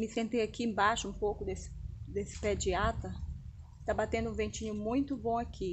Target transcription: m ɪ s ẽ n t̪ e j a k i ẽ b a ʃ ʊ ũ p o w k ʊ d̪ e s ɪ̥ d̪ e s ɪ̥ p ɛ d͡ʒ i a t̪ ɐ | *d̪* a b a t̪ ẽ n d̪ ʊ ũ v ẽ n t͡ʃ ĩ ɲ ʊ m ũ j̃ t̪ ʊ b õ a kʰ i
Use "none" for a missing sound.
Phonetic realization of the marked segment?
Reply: t̪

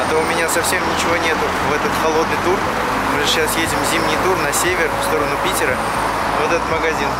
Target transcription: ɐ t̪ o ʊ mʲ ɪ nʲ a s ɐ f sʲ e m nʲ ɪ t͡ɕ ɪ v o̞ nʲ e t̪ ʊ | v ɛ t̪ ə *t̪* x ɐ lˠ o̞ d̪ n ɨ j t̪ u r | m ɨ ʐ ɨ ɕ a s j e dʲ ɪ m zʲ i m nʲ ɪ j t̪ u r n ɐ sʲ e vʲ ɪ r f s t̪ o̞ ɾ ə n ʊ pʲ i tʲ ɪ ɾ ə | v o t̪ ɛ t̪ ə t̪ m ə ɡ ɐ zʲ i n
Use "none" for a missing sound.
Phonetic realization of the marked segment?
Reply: t̪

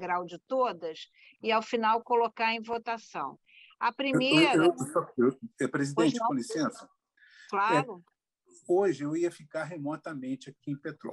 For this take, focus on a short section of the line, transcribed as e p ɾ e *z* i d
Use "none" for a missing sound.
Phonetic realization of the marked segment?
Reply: z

